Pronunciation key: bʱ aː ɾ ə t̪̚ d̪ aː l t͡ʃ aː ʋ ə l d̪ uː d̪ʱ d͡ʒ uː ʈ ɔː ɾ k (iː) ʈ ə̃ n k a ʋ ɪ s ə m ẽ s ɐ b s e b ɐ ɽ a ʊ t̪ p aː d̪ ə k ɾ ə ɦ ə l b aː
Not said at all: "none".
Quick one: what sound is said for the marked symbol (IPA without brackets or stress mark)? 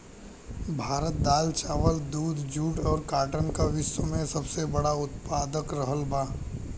aː